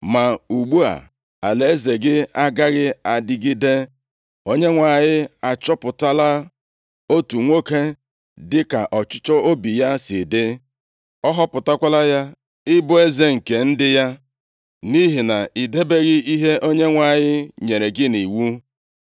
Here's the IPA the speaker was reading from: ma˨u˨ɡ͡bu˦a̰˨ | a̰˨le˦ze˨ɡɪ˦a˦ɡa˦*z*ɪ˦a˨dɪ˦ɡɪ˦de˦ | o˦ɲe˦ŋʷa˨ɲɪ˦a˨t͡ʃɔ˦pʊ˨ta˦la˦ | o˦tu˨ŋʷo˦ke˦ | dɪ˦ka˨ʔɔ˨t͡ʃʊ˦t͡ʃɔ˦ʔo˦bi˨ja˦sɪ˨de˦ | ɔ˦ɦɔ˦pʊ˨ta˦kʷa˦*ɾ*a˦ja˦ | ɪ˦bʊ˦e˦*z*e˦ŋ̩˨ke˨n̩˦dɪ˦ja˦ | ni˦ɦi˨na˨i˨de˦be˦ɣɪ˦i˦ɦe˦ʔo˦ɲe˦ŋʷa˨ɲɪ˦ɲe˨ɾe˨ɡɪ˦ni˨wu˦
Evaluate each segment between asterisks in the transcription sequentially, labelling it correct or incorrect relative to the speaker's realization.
incorrect: ɣ, incorrect: l, correct

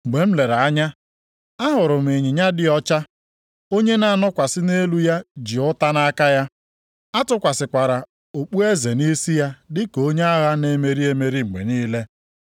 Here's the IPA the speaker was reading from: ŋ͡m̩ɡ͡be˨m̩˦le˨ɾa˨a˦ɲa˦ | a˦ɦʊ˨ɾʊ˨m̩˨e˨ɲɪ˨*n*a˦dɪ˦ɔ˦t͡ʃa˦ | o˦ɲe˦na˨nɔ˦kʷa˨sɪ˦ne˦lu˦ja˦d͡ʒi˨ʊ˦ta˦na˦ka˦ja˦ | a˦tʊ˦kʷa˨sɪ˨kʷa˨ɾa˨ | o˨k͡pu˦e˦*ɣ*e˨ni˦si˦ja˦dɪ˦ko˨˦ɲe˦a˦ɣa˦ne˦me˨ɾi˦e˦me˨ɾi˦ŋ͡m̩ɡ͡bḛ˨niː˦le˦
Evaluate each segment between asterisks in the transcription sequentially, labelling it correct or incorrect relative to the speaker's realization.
incorrect: ɲ, incorrect: z

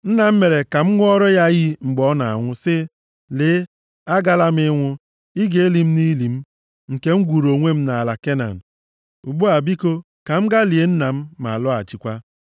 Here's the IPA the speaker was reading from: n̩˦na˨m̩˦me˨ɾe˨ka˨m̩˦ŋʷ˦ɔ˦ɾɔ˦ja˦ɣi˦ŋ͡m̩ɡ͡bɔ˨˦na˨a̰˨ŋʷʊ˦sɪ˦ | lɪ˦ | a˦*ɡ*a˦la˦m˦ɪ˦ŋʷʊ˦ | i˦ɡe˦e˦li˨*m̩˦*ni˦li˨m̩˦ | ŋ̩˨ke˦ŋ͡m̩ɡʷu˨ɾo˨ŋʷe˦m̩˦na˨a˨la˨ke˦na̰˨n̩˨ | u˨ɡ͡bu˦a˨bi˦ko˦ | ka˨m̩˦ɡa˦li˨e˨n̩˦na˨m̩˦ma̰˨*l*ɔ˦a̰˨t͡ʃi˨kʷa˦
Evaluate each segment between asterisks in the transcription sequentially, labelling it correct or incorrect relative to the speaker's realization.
correct, correct, correct

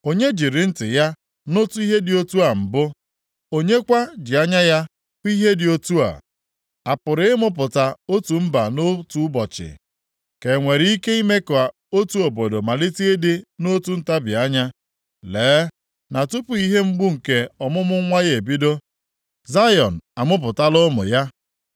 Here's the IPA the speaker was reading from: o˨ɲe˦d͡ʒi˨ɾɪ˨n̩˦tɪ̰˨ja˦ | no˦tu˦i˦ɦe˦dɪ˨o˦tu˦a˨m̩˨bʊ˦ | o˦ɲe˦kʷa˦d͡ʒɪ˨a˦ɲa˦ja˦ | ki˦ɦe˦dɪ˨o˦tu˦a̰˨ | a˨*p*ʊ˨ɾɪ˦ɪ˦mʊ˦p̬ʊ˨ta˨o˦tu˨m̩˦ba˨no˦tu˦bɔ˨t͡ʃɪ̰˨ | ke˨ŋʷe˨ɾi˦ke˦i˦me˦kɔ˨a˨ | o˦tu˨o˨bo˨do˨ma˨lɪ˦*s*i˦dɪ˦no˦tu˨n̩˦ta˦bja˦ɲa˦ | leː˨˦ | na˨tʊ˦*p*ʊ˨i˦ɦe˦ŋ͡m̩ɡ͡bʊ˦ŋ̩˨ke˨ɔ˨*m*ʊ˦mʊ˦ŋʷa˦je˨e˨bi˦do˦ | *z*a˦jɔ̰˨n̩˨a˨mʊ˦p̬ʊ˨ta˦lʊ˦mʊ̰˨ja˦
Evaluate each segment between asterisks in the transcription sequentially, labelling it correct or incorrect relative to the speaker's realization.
correct, incorrect: t, correct, correct, correct

